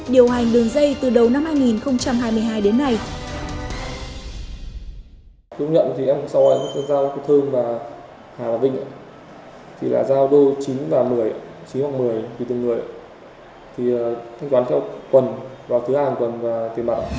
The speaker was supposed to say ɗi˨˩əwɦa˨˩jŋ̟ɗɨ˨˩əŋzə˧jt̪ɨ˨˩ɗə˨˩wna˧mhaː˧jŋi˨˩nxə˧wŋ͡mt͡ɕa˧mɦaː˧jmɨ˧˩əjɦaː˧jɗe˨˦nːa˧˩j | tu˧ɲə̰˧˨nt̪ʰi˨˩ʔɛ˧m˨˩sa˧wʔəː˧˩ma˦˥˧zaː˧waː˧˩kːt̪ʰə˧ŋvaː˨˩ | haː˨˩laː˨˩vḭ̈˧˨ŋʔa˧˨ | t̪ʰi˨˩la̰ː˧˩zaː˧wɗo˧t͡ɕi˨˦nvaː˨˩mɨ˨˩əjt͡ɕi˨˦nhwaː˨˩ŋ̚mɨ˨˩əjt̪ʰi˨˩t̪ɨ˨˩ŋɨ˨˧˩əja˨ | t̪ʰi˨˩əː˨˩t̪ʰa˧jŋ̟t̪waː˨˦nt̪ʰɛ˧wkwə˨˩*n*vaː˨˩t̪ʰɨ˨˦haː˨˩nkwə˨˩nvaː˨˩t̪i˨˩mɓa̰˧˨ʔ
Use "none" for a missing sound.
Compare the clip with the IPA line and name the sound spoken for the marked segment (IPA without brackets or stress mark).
n